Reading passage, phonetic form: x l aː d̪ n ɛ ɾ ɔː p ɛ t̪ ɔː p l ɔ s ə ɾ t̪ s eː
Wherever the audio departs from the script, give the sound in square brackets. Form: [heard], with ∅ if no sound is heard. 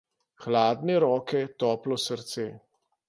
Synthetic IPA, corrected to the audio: x l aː d̪ n ɛ ɾ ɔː [k] ɛ t̪ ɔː p l ɔ s ə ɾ t̪ s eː